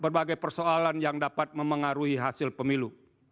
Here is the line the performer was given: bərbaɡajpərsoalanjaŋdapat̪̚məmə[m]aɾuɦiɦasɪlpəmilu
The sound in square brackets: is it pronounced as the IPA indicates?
no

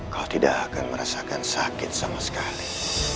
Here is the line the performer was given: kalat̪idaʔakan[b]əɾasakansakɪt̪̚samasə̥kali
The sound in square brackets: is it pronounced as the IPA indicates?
no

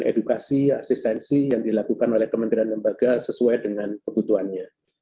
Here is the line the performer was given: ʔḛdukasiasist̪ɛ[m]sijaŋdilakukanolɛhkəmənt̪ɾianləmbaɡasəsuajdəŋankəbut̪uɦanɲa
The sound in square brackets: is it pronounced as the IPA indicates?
no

